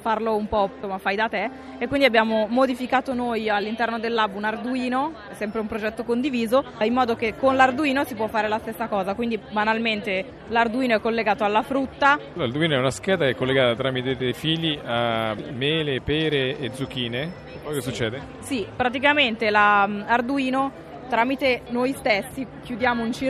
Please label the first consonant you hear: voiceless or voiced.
voiceless